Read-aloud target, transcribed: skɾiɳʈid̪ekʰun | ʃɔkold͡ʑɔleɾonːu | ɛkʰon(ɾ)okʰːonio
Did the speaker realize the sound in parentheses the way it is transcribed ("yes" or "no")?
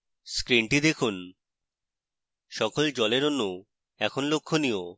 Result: no